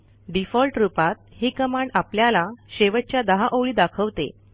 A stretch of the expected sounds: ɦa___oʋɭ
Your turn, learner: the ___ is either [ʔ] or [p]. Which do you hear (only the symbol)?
ʔ